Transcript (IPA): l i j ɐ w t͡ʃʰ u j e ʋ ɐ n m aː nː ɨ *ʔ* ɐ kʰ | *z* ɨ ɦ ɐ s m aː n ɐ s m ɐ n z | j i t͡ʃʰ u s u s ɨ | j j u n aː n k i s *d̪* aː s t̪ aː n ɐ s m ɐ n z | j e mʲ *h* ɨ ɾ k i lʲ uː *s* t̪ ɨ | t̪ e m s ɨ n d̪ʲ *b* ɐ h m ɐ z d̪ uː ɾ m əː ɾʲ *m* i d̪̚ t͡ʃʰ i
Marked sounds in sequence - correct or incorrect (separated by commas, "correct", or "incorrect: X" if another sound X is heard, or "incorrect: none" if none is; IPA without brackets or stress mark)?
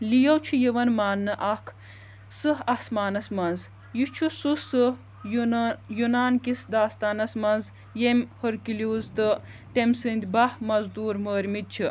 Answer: correct, incorrect: s, correct, correct, incorrect: z, correct, correct